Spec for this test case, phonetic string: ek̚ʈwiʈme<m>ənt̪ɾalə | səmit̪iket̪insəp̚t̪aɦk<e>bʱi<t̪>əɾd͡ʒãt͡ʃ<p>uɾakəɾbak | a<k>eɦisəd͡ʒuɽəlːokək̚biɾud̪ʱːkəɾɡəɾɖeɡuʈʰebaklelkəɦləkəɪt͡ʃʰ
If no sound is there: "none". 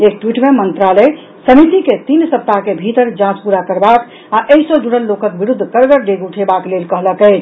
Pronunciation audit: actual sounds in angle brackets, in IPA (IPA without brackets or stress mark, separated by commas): m, e, t̪, p, ʔ